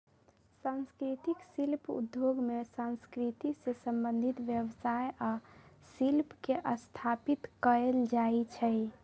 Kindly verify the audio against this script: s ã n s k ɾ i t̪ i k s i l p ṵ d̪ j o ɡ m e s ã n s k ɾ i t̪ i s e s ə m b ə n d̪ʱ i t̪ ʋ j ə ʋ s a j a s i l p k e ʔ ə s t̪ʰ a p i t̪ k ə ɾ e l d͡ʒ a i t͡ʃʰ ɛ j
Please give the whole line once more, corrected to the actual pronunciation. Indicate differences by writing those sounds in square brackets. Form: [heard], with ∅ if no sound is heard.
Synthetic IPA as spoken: s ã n s k ɾ i t̪ i k s i l p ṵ d̪ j o ɡ m e s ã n s k ɾ i t̪ i s e s ə m b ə n d̪ʱ i t̪ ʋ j ə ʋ s a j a s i l p k e ʔ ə s t̪ʰ a p i t̪ k ə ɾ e l d͡ʒ a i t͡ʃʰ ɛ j